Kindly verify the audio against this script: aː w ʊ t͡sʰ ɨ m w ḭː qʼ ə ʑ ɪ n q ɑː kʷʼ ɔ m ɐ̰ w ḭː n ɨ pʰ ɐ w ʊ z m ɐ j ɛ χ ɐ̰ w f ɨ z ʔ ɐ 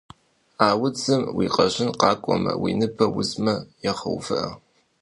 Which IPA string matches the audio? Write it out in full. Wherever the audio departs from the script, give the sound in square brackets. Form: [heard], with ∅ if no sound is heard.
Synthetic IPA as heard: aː w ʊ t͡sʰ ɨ m w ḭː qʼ [ɐ] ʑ ɪ n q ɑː kʷʼ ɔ m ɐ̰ w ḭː n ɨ pʰ ɐ w ʊ z m ɐ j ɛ χ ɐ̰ w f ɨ [∅] ʔ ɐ